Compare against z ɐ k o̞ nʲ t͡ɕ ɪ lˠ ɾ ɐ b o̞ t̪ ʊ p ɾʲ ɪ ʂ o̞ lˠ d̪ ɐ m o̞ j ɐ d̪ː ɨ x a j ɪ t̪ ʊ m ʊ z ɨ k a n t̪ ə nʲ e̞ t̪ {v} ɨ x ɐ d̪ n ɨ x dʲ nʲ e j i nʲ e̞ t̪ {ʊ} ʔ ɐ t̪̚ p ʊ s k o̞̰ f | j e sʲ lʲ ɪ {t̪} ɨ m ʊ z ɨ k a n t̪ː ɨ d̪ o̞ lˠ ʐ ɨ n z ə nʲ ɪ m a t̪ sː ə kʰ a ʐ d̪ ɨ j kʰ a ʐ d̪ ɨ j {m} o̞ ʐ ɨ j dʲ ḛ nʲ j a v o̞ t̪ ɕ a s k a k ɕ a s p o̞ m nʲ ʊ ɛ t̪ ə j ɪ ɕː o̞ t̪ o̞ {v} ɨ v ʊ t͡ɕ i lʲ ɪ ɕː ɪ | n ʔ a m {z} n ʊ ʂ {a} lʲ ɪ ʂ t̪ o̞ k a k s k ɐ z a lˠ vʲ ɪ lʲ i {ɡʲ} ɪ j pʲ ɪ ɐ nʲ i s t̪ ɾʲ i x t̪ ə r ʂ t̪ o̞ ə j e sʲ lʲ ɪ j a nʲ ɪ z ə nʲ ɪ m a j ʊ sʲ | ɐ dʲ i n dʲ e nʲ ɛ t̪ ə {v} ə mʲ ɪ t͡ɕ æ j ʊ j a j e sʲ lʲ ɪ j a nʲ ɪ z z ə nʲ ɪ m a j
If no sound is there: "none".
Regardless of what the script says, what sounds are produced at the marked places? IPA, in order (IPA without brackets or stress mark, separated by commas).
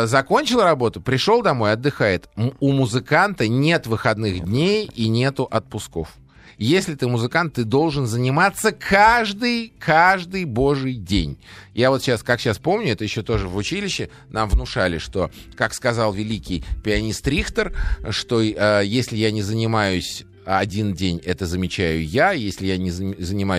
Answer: v, ʊ, t̪, b, ʐ, v, a, kʲ, z